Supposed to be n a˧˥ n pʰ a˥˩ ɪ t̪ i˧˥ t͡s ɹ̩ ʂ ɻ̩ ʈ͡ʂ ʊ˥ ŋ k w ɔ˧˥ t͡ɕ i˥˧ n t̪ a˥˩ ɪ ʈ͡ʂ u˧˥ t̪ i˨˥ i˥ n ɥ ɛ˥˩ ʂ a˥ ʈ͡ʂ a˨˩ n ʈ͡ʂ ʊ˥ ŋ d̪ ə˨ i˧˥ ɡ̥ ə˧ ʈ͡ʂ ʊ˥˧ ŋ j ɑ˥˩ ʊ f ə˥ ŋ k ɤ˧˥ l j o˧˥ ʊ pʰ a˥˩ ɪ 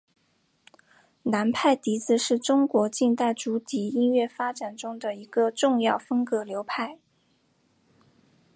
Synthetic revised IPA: n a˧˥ n pʰ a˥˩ ɪ t̪ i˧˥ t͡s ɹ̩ ʂ ɻ̩ ʈ͡ʂ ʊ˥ ŋ k w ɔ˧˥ t͡ɕ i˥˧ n t̪ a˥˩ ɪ ʈ͡ʂ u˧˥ t̪ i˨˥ i˥ n ɥ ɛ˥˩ f a˥ ʈ͡ʂ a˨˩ n ʈ͡ʂ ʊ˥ ŋ d̪ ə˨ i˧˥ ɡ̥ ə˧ ʈ͡ʂ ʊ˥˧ ŋ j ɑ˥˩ ʊ f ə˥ ŋ k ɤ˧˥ l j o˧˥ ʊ pʰ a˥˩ ɪ